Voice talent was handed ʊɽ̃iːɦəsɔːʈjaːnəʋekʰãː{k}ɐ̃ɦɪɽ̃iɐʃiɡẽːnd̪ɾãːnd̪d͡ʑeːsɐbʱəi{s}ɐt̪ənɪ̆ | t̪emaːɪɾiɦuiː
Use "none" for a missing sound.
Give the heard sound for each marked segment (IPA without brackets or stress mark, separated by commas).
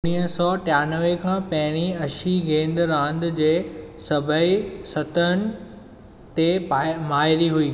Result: p, s